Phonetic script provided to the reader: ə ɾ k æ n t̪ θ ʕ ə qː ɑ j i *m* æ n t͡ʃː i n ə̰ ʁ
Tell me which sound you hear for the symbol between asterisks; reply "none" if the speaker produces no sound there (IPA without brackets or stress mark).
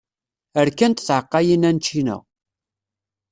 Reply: n